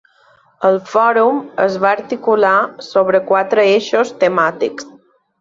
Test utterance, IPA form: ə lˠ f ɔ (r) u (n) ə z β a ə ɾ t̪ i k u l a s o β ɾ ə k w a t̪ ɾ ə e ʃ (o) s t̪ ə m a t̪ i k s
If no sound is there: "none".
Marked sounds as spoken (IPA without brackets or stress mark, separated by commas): ɾ, m, o